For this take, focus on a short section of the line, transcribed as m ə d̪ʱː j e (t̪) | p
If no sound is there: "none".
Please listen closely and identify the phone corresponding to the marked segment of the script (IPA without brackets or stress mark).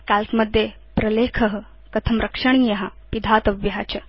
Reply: none